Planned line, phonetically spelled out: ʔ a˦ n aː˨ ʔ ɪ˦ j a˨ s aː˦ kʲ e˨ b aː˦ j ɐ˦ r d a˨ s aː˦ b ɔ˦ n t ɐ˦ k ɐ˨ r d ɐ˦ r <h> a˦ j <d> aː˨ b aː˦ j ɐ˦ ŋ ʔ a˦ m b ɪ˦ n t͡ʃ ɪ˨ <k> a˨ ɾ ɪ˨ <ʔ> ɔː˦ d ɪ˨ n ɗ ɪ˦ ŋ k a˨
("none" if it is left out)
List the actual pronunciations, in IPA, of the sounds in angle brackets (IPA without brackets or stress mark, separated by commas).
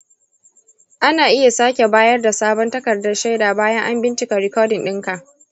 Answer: ʃ, d, k, k